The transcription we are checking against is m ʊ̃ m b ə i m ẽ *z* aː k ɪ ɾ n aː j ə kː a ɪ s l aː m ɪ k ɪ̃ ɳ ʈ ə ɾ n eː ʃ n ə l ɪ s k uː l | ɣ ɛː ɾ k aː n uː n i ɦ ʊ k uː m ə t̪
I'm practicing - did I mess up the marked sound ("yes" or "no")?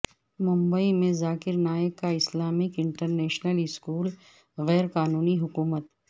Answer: no